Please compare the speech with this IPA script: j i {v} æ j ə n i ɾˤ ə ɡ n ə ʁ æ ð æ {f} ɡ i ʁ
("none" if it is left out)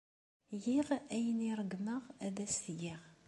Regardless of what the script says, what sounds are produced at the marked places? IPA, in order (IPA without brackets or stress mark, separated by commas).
ʁ, s